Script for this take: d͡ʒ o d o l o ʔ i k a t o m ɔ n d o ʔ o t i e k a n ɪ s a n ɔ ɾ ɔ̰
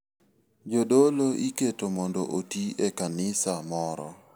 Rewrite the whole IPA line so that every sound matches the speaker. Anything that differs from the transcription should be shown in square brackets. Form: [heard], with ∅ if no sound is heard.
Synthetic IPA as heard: d͡ʒ o d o l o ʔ i k [e] t o m ɔ n d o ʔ o t i e k a n ɪ s a [m] ɔ ɾ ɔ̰